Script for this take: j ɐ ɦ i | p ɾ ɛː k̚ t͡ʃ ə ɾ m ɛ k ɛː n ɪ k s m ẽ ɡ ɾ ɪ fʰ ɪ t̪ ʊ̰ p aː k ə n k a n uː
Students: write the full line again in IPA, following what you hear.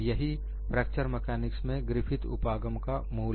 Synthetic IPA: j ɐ ɦ i | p ɾ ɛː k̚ t͡ʃ ə ɾ m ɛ k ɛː n ɪ k s m ẽ ɡ ɾ ɪ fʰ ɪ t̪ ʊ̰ p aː ɡ ə m k a m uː